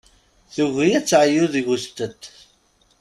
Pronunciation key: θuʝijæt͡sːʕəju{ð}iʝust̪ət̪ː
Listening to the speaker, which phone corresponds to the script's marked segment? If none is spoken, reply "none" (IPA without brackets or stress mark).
ð